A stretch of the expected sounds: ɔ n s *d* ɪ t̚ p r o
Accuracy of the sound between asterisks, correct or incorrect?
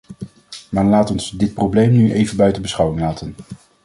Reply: correct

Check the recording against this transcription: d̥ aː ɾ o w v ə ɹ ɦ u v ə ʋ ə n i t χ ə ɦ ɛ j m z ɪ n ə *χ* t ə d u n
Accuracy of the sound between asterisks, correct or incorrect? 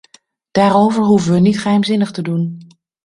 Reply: correct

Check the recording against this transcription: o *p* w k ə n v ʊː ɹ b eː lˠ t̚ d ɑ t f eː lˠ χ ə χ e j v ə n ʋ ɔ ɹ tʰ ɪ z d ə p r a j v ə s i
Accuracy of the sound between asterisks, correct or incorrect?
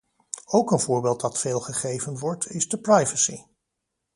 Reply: incorrect: none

